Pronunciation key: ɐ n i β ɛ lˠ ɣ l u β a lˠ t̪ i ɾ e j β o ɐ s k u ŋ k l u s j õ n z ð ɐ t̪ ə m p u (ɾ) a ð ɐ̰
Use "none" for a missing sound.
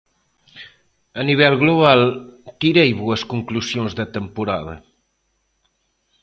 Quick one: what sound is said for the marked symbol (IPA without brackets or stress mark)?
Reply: ɾ